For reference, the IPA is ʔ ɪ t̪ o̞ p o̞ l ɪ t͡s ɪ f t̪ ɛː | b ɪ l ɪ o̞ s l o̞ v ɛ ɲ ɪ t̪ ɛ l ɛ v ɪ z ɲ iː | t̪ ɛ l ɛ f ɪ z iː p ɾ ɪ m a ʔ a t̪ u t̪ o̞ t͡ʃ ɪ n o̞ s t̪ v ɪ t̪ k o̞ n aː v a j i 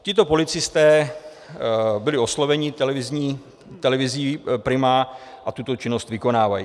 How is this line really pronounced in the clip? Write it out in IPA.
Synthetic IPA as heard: c ɪ t̪ o̞ p o̞ l ɪ t͡s ɪ s t̪ ɛː | b ɪ l ɪ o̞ s l o̞ v ɛ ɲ ɪ t̪ ɛ l ɛ v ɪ z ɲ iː | t̪ ɛ l ɛ v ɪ z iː p ɾ ɪ m a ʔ a t̪ u t̪ o̞ t͡ʃ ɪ n o̞ s t̪ v ɪ k o̞ n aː v a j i